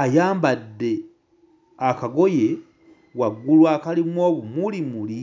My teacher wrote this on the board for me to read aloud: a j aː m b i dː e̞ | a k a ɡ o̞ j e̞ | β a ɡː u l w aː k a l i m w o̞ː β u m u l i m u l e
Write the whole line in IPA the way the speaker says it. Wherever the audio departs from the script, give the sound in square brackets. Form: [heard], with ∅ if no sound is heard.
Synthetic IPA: a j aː m b [a] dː e̞ | a k a ɡ o̞ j e̞ | [w] a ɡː u l w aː k a l i m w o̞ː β u m u l i m u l [i]